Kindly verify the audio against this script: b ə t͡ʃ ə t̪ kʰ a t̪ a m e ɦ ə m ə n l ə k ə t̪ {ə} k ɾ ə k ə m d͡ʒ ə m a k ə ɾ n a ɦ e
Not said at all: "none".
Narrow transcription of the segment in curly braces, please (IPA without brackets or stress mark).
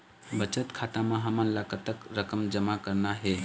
ə